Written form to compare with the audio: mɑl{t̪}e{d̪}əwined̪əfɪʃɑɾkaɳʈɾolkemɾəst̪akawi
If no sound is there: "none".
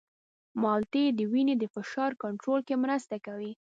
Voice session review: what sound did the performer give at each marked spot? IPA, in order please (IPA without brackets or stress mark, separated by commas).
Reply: t̪, d̪